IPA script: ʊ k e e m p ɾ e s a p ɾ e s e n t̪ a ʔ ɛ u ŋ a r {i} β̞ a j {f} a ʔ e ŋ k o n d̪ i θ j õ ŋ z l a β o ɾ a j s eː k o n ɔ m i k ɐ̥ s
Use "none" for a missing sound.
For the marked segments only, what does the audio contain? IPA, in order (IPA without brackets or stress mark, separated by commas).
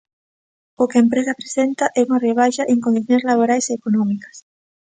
e, ʃ